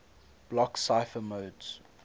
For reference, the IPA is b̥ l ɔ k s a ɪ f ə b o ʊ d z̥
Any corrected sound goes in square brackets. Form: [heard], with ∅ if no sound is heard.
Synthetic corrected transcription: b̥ l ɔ k s a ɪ f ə [m] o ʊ d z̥